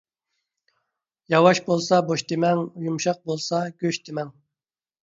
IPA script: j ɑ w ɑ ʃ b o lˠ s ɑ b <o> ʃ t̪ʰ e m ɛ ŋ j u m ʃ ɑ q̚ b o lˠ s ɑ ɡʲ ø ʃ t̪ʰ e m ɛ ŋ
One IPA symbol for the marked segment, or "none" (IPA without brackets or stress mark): o